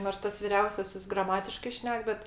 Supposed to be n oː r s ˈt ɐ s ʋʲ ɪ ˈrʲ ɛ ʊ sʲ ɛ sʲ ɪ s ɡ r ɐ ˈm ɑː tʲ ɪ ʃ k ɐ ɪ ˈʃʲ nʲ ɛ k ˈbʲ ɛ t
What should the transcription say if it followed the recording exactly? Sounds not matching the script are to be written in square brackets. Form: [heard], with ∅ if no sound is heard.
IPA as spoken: n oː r s ˈt ɐ s ʋʲ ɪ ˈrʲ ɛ ʊ sʲ ɛ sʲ ɪ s ɡ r ɐ ˈm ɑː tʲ ɪ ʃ k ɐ ɪ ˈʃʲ nʲ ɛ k ˈbʲ ɛ t